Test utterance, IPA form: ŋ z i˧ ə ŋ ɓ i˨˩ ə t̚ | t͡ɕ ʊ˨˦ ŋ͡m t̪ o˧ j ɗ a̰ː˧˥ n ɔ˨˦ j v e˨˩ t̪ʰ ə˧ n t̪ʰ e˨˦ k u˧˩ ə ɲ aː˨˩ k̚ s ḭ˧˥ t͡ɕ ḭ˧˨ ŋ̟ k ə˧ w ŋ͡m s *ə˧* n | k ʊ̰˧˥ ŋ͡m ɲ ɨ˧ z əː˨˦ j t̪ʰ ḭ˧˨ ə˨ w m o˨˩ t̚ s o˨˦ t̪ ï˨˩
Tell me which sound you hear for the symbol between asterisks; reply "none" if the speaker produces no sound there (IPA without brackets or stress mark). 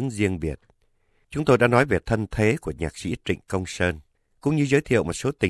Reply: əː˧